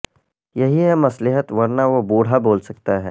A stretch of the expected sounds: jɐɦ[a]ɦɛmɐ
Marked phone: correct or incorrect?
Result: incorrect